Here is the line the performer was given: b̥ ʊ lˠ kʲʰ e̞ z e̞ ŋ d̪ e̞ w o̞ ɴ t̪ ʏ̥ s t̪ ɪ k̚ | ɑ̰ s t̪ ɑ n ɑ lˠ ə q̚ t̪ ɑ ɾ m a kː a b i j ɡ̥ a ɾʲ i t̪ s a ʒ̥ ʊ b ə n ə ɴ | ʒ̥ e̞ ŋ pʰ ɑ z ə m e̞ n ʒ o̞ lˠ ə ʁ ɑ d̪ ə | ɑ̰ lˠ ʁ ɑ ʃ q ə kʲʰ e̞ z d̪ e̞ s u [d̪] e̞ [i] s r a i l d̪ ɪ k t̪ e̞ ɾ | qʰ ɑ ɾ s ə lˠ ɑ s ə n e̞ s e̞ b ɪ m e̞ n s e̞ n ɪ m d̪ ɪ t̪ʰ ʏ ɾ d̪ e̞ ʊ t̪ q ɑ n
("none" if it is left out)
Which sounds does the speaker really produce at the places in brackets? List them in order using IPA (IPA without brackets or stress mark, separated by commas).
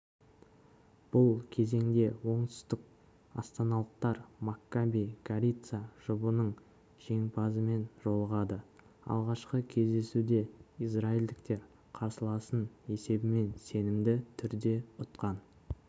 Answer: d̪, i